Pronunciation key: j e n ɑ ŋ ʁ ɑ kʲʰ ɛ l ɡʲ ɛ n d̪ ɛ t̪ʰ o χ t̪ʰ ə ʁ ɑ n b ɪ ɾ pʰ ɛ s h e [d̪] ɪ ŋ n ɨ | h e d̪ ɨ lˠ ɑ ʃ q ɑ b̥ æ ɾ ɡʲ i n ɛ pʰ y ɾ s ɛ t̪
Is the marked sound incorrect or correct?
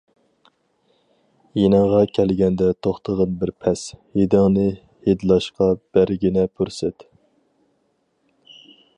correct